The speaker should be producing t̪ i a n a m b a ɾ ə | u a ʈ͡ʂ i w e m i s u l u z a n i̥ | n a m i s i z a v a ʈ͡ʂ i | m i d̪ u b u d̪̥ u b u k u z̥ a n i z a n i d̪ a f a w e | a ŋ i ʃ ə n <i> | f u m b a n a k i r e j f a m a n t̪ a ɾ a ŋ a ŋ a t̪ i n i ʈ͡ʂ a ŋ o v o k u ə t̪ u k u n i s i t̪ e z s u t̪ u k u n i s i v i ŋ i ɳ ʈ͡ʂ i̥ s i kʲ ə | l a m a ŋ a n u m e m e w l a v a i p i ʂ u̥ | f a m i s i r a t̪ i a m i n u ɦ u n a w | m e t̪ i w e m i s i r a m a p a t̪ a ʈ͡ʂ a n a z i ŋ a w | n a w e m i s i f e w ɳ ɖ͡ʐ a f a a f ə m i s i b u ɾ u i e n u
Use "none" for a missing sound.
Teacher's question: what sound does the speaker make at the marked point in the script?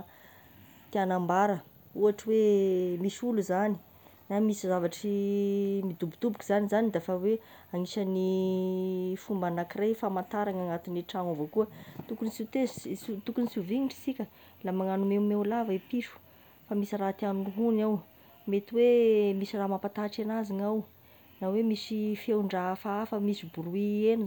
i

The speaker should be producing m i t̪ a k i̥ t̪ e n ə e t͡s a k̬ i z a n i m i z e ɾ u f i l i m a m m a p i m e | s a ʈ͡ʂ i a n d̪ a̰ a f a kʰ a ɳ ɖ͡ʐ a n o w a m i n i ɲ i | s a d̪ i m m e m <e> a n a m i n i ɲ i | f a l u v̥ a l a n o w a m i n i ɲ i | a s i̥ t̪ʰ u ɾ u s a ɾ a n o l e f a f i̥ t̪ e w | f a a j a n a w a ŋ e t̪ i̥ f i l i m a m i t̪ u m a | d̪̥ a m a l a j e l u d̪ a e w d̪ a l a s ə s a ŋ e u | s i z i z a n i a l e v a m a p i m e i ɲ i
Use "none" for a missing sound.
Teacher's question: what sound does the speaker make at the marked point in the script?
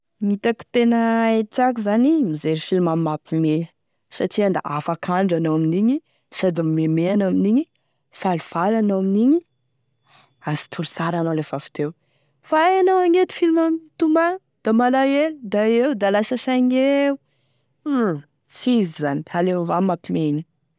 e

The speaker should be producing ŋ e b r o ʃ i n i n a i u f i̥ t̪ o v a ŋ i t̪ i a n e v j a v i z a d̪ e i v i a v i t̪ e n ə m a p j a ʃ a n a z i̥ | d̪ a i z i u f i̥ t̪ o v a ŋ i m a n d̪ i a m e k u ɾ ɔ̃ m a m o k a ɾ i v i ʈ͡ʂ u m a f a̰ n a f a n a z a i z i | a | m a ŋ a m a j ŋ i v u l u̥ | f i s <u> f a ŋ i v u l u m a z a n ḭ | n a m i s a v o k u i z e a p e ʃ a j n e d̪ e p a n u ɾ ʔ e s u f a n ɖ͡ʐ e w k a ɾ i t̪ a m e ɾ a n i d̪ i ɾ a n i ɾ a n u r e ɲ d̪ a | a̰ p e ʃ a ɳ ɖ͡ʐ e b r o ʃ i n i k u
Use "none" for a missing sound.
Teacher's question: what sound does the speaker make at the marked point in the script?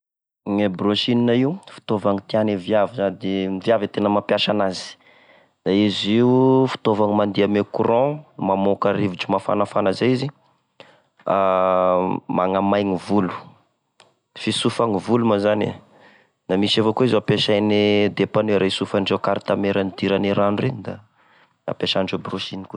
u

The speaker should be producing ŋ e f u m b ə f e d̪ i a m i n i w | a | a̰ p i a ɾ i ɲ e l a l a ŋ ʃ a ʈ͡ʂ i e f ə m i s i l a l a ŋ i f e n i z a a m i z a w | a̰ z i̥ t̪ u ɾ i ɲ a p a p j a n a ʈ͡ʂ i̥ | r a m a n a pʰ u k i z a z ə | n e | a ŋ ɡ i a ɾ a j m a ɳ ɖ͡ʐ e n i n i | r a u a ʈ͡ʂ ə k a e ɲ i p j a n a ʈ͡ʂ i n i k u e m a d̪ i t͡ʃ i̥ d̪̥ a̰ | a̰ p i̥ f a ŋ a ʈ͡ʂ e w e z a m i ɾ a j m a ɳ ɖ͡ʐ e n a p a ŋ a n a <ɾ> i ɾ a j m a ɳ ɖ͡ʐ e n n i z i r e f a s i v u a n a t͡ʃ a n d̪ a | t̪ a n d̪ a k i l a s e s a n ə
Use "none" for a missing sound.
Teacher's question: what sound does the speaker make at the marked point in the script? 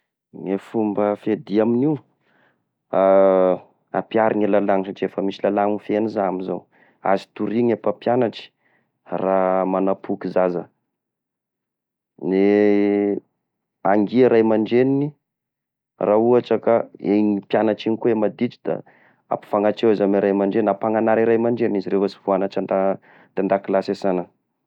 ɾ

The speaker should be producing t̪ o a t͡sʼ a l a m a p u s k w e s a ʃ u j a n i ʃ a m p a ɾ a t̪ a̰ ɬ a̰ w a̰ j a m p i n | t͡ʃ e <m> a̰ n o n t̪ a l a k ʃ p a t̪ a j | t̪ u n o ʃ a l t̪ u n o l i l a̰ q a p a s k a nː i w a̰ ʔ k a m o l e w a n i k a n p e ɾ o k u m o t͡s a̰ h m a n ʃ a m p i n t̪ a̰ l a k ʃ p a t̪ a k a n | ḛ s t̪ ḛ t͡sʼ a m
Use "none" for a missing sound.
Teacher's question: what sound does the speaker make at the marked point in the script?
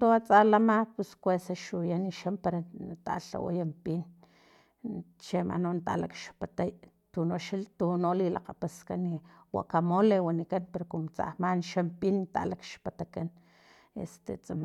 m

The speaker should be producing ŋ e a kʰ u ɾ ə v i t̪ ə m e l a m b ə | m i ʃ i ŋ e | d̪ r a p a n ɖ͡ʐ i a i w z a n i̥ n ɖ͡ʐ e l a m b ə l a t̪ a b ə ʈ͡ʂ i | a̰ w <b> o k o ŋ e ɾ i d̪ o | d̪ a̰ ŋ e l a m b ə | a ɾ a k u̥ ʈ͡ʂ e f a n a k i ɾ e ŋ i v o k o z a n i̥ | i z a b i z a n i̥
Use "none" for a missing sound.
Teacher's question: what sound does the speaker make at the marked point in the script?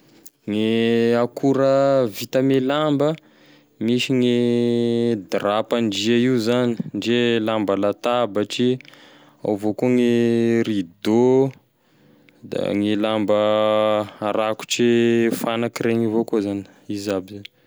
v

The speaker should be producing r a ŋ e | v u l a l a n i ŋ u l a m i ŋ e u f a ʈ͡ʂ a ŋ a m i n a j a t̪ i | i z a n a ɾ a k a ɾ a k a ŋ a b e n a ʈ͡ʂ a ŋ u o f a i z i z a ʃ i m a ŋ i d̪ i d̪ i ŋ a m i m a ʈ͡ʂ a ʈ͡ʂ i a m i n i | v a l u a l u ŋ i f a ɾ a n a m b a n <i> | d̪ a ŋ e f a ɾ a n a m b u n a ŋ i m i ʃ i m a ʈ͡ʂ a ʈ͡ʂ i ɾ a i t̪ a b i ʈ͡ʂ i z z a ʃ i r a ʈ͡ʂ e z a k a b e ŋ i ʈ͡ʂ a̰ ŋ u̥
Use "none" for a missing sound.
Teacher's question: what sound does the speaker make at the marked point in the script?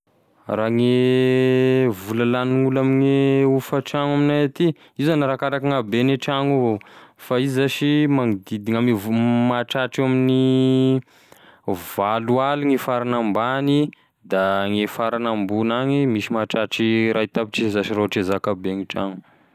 i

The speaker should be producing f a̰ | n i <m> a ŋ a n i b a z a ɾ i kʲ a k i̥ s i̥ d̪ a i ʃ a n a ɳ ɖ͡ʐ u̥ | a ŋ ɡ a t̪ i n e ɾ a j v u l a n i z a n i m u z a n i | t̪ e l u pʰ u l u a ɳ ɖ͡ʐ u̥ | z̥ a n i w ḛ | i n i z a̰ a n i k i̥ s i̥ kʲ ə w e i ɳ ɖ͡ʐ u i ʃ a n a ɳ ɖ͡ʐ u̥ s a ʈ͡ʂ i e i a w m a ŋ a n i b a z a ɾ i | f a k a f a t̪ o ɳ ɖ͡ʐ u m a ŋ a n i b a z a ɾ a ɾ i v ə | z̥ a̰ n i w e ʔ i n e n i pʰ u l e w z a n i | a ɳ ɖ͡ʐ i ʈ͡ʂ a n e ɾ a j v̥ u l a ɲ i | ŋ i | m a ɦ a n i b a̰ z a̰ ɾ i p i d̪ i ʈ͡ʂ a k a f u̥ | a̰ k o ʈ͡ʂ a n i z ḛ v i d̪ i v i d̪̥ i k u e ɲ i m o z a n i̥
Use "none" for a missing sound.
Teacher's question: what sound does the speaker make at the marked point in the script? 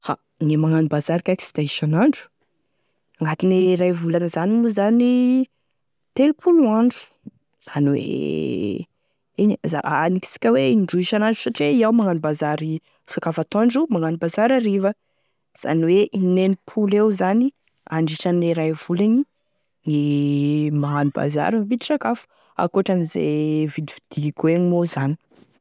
m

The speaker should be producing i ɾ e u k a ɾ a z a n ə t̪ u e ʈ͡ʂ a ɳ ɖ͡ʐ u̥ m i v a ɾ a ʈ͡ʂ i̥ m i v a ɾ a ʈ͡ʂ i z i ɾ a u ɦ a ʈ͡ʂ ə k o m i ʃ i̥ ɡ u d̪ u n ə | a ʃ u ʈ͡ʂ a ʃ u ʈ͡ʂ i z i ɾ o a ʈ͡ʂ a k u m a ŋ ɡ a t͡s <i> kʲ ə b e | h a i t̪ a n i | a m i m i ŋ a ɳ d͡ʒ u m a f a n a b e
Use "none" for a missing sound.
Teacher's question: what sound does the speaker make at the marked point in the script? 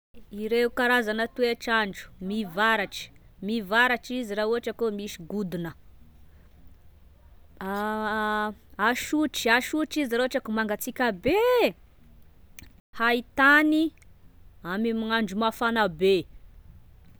i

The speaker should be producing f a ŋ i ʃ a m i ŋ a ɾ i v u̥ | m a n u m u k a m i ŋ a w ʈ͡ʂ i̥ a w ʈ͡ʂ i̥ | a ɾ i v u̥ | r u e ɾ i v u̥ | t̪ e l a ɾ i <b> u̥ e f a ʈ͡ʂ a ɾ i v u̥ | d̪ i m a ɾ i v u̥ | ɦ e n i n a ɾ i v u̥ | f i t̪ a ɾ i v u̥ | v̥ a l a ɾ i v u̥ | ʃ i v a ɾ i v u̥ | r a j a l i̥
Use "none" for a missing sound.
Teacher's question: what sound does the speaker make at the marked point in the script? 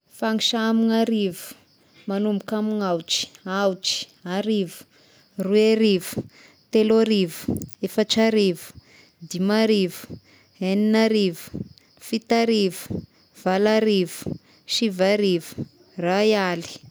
v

